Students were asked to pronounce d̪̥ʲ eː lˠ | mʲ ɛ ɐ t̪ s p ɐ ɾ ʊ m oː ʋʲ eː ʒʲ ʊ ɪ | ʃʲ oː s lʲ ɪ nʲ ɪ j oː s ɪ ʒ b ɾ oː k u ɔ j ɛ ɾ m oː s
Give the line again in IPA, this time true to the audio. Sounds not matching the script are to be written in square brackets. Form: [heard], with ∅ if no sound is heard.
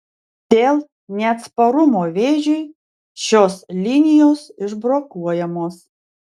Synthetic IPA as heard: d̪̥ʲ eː lˠ | [nʲ] ɛ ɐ t̪ s p ɐ ɾ ʊ m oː ʋʲ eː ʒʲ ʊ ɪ | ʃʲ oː s lʲ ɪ nʲ ɪ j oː s ɪ ʒ b ɾ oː k u ɔ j ɛ [∅] m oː s